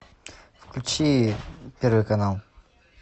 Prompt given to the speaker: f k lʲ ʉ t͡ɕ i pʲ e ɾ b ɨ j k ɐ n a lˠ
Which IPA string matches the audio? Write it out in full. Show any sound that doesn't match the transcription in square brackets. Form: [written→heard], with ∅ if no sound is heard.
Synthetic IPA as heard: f k lʲ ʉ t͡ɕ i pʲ e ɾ [b→v] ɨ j k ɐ n a lˠ